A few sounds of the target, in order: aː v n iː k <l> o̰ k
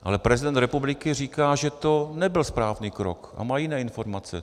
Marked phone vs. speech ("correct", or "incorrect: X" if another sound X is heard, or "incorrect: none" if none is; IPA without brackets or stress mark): incorrect: ɾ